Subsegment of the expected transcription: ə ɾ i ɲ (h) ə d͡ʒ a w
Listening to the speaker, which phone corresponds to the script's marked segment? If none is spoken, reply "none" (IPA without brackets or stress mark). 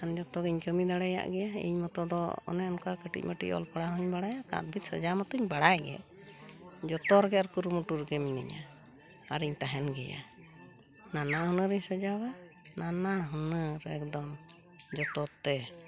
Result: s